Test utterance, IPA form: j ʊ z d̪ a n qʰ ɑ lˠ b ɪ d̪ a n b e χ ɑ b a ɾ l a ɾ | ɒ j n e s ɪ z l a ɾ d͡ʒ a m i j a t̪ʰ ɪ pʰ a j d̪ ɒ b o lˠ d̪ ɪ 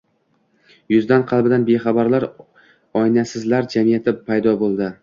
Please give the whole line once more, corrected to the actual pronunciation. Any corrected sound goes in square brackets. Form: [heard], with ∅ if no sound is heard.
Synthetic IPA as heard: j ʊ z d̪ a n qʰ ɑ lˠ b ɪ d̪ a n b e χ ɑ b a ɾ l a ɾ | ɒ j n [a] s ɪ z l a ɾ d͡ʒ a m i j a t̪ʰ ɪ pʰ a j d̪ ɒ b o lˠ d̪ ɪ